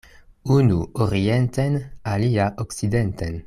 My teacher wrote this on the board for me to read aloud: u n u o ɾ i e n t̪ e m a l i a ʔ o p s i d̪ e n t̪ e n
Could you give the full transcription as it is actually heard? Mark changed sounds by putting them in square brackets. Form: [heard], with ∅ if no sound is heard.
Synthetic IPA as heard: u n u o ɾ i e n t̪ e [n] a l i a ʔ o [k] s i d̪ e n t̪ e n